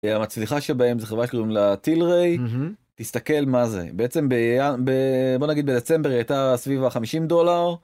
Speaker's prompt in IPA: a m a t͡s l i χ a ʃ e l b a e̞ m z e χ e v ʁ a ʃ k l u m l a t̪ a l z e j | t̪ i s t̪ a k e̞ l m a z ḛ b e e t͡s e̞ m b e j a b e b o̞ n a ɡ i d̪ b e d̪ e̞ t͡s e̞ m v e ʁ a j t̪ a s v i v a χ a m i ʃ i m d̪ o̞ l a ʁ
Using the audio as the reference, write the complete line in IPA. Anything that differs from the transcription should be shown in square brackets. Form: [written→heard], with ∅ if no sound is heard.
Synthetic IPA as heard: a m a t͡s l i χ a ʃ e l b a e̞ m z e χ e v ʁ a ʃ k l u m l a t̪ [a→i] l [z→ʁ] e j | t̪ i s t̪ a k e̞ l m a z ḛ b e e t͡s e̞ m b e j a b e b o̞ n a ɡ i d̪ b e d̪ e̞ t͡s e̞ m [v→b] e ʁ a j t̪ a s v i v a χ a m i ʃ i m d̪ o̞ l a ʁ